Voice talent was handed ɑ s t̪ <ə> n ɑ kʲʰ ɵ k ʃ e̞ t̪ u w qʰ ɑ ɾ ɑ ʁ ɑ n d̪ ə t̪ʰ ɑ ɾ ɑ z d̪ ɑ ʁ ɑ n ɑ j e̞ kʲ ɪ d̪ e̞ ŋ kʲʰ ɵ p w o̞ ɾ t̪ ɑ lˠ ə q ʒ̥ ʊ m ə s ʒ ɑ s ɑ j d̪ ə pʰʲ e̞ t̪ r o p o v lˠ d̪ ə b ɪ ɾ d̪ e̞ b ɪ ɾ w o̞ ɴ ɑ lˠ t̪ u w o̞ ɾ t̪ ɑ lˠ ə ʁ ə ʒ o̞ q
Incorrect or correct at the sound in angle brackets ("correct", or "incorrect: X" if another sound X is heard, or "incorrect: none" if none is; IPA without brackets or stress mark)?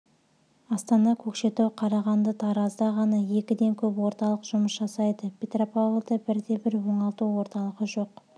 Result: incorrect: ɑ